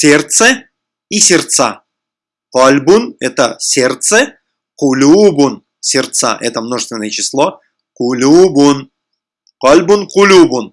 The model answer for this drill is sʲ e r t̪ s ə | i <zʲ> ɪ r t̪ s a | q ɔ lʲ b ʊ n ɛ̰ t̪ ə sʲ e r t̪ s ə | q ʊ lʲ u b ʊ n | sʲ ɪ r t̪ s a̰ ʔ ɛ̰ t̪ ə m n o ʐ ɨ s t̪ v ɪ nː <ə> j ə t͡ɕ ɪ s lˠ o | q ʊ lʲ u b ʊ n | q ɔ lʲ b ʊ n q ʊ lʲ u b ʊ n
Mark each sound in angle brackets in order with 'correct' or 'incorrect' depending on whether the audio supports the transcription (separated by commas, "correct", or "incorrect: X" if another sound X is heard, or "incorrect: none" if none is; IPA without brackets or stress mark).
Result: incorrect: sʲ, correct